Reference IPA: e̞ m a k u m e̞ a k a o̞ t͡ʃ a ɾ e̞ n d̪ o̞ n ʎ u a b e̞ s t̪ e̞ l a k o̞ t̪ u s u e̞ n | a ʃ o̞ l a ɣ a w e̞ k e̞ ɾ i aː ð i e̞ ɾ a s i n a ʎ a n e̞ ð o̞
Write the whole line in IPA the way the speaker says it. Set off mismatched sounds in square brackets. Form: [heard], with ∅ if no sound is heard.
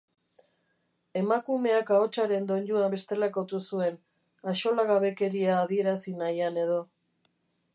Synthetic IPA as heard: e̞ m a k u m e̞ a k a o̞ t͡ʃ a ɾ e̞ n d̪ o̞ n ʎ u a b e̞ s t̪ e̞ l a k o̞ t̪ u s u e̞ n | a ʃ o̞ l a ɣ a [β] e̞ k e̞ ɾ i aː ð i e̞ ɾ a s i n a [j] a n e̞ ð o̞